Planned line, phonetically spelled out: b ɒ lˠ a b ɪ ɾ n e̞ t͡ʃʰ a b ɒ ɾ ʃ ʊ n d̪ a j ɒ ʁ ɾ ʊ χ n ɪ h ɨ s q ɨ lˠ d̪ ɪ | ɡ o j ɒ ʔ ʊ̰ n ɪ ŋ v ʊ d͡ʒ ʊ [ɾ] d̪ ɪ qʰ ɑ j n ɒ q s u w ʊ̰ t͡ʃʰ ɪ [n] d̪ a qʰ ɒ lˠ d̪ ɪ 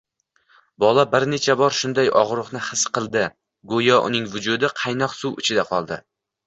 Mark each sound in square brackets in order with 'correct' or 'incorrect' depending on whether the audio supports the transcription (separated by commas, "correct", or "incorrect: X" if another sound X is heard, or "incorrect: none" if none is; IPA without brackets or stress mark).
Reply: incorrect: none, incorrect: none